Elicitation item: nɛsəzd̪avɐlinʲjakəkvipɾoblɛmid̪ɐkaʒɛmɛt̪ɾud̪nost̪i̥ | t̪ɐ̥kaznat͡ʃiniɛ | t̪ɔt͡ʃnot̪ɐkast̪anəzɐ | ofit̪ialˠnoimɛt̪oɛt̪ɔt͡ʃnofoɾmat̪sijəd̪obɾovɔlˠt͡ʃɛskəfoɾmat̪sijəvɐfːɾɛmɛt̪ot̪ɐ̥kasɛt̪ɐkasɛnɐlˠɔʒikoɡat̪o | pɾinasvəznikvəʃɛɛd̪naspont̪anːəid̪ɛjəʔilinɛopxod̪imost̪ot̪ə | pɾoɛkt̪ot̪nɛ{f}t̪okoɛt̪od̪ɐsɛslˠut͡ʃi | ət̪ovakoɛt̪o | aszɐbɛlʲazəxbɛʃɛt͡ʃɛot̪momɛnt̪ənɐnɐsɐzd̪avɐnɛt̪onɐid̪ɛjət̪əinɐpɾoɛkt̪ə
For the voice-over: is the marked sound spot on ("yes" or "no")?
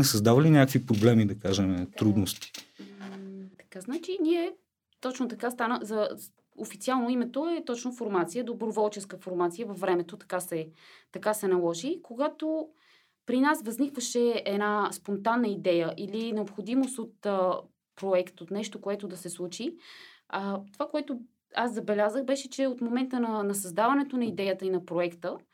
no